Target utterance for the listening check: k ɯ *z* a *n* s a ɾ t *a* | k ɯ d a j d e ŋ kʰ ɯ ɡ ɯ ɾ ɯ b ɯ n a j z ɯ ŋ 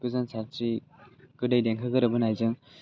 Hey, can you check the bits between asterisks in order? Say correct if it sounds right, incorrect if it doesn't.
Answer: correct, correct, incorrect

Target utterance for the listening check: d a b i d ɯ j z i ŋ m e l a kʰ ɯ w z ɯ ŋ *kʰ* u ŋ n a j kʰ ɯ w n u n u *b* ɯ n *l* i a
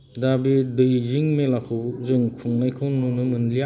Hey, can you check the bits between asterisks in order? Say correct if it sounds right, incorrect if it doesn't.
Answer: correct, incorrect, correct

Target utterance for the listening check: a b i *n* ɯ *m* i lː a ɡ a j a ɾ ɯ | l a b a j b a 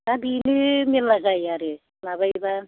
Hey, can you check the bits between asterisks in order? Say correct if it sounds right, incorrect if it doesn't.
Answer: correct, correct

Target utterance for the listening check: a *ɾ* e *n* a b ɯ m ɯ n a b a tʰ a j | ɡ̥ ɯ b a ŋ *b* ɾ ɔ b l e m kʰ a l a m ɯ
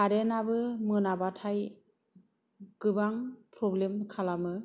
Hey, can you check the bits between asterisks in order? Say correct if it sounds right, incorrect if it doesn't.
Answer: correct, correct, incorrect

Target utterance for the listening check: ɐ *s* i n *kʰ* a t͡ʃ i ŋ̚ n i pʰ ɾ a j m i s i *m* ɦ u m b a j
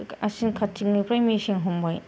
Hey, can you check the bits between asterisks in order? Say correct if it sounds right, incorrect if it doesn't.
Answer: correct, correct, incorrect

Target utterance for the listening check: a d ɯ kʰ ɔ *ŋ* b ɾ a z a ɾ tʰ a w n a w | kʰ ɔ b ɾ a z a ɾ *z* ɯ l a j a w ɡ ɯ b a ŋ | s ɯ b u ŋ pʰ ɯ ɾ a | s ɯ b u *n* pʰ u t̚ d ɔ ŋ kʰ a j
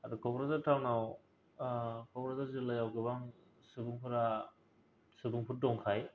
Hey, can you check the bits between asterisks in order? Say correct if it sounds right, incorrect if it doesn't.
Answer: incorrect, correct, incorrect

